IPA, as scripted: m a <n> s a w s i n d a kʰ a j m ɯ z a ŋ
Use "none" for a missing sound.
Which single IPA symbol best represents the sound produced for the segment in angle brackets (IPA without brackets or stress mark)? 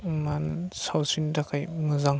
n